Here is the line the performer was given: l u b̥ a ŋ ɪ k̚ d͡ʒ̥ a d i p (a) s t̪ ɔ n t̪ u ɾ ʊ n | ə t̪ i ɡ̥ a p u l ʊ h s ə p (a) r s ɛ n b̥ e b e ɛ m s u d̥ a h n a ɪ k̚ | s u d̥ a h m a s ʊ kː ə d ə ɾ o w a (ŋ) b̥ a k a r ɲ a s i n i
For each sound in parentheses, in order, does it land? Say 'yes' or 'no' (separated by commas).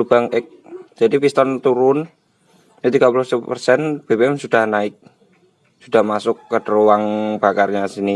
no, no, yes